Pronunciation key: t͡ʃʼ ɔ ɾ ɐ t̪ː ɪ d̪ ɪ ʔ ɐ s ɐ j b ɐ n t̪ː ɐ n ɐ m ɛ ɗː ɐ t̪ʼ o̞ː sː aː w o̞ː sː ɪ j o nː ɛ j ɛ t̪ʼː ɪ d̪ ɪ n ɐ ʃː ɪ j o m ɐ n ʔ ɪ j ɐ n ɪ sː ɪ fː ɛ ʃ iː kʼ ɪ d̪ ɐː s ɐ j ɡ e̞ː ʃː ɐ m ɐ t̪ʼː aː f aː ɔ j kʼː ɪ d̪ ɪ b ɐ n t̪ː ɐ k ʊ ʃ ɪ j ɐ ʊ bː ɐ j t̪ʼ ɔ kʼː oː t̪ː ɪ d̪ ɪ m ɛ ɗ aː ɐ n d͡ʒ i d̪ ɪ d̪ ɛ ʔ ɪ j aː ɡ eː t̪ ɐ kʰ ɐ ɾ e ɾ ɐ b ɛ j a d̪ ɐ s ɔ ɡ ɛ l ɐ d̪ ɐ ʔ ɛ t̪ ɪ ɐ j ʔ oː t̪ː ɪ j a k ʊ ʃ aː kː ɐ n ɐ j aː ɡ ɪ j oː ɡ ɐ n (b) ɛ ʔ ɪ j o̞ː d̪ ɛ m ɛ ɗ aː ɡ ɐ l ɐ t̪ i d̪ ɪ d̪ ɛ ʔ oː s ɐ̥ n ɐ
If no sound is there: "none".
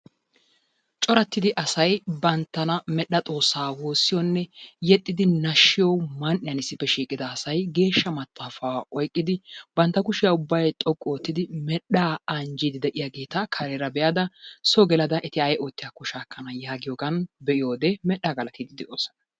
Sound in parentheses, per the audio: b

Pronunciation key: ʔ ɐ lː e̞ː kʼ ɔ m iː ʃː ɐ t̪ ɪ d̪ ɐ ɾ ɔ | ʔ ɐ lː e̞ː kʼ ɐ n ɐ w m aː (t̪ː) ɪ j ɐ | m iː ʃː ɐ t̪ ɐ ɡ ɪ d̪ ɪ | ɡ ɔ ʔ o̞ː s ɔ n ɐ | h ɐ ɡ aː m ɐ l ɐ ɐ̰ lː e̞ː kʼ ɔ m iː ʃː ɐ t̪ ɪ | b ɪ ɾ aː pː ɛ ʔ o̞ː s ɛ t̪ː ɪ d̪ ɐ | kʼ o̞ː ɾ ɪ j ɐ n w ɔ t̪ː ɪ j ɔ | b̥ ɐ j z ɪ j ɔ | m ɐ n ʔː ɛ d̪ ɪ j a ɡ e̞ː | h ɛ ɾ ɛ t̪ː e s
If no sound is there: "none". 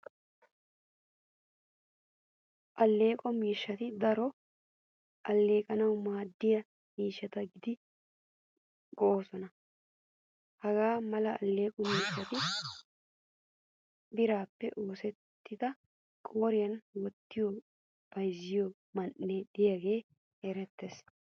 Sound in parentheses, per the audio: d̪ː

